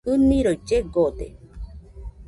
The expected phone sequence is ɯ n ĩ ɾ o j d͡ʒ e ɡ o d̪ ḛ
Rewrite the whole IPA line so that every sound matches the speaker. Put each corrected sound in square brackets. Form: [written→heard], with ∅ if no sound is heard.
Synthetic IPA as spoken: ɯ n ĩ ɾ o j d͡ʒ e ɡ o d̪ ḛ